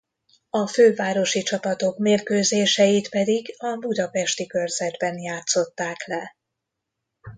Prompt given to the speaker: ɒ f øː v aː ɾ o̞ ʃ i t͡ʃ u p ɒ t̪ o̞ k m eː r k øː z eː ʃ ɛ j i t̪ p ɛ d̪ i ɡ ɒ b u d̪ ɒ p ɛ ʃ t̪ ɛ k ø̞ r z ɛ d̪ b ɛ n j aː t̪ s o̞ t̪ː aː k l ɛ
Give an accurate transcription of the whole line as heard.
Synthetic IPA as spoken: ɒ f øː v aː ɾ o̞ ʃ i t͡ʃ ɒ p ɒ t̪ o̞ k m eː r k øː z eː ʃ ɛ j i t̪ p ɛ d̪ i ɡ ɒ b u d̪ ɒ p ɛ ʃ t̪ i k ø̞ r z ɛ d̪ b ɛ n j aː t̪ s o̞ t̪ː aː k l ɛ